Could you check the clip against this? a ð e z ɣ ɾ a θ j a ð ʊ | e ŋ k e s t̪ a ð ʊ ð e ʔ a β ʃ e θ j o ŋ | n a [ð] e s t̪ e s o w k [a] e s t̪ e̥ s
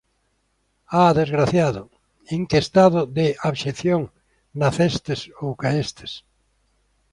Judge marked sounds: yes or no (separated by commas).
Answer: no, yes